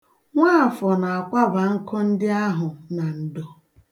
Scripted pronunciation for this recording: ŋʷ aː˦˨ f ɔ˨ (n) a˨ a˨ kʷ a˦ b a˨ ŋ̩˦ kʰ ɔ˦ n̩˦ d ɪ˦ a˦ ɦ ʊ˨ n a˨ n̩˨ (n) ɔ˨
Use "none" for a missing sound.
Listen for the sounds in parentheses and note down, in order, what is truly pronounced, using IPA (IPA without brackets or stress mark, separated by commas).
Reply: n, d